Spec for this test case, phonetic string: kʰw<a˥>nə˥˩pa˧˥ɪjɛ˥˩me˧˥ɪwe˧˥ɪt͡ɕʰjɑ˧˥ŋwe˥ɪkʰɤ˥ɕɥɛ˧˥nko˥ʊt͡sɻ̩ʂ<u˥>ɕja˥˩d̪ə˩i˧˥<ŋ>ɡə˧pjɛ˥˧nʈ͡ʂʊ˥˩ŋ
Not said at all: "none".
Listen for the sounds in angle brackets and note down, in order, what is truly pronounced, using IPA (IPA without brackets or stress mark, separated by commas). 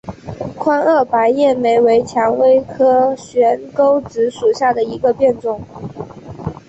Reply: a˥, u˨˩, none